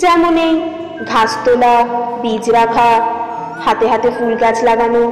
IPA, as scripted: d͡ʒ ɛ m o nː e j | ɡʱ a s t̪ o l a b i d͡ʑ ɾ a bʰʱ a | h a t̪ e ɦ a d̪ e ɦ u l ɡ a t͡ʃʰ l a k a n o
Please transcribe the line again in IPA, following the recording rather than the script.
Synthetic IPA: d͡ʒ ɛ m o n e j | ɡʱ a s t̪ o l a b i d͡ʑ ɾ a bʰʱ a | h a t̪ e ɦ a t̪ e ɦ u l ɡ a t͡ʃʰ l a ɡ a n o